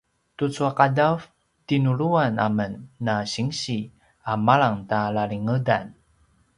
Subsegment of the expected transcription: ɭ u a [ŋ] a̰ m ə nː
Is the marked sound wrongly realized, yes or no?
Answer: yes